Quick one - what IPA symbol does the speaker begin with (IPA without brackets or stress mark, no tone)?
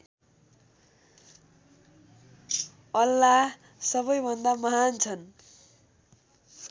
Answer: ʌ